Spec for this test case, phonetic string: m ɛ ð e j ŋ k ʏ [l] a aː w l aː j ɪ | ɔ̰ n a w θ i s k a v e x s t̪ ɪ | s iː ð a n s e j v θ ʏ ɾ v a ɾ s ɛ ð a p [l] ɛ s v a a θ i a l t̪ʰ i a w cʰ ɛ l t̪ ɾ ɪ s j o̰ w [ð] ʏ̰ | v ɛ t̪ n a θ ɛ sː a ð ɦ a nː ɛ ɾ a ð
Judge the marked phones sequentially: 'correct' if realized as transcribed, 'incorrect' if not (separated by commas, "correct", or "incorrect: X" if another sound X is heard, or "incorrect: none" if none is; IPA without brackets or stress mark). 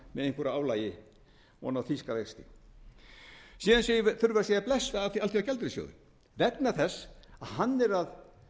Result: incorrect: ɾ, correct, correct